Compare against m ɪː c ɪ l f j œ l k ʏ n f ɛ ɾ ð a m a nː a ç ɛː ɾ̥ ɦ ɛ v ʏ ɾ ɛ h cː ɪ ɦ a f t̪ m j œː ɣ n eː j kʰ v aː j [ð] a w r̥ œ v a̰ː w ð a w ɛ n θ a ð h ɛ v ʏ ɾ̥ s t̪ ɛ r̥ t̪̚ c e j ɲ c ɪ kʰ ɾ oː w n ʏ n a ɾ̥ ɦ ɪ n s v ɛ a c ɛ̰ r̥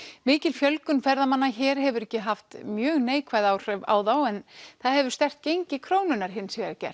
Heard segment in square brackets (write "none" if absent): ð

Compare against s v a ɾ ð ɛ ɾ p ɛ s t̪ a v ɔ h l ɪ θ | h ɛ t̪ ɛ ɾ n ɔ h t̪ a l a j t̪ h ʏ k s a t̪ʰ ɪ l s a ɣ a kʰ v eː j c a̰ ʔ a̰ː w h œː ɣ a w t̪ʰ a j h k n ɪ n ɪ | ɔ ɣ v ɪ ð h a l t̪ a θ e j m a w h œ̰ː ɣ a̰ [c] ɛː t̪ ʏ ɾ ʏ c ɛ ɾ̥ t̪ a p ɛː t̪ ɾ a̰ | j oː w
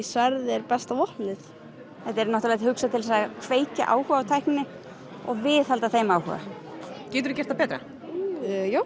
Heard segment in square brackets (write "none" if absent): c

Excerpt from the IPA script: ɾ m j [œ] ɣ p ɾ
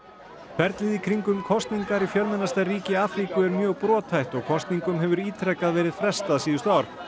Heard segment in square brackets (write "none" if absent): œː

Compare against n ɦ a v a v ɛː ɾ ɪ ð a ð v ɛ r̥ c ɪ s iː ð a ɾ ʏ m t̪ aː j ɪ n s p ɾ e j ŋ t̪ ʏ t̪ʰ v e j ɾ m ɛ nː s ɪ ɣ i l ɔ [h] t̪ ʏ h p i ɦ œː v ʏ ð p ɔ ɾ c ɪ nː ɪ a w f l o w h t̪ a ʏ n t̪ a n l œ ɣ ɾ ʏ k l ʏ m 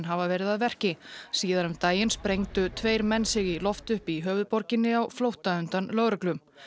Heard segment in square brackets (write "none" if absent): f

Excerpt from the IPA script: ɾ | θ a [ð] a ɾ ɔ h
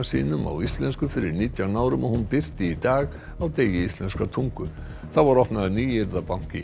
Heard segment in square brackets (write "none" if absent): v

